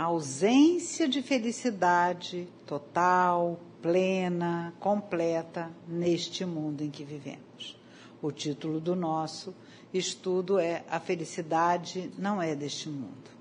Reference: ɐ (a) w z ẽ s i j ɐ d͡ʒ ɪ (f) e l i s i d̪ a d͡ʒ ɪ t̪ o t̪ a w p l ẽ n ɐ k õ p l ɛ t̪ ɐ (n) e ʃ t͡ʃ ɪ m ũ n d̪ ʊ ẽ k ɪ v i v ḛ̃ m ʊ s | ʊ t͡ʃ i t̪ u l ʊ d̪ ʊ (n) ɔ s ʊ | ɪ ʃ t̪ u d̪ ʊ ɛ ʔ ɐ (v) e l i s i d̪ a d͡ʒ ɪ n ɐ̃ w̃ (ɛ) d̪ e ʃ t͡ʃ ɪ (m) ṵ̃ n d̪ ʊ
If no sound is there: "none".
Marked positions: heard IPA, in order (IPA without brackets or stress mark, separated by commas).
a, f, n, n, f, ɛ, m